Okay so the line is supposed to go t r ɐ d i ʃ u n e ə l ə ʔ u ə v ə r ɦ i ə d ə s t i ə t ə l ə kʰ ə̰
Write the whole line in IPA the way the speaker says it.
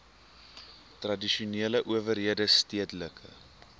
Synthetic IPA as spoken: t r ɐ d i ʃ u n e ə l ə ʔ u ə v ə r ɦ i ə d ə s t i ə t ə l ə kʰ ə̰